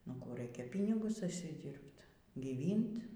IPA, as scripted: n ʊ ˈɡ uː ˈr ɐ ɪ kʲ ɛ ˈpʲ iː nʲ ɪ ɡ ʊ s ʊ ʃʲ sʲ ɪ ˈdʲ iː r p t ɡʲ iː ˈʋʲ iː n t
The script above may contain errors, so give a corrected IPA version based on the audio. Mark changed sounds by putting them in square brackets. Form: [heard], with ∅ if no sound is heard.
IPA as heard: n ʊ [ˈk] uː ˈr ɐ ɪ kʲ ɛ ˈpʲ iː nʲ ɪ ɡ ʊ s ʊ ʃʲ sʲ ɪ ˈdʲ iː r p t ɡʲ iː ˈʋʲ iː n t